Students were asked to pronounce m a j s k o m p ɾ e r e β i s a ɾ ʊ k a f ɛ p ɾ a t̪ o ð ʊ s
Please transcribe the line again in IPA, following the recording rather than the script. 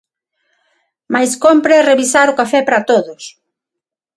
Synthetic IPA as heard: m a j s k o m p ɾ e r e β i s a ɾ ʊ k a f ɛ p ɾ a t̪ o ð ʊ s